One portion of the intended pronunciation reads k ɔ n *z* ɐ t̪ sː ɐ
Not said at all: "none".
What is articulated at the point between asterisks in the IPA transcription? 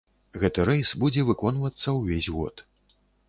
v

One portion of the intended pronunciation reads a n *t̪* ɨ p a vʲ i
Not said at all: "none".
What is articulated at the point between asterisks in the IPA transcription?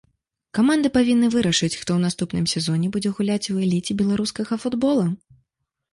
d̪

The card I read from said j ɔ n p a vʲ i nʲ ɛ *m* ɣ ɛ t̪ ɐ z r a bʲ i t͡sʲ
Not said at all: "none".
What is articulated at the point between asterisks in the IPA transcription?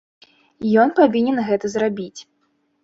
n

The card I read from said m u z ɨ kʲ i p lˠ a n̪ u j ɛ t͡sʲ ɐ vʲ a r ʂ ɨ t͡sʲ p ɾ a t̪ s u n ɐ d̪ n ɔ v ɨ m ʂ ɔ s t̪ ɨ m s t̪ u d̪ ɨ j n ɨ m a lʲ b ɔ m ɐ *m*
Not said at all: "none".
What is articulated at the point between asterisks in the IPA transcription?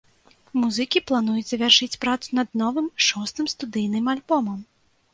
m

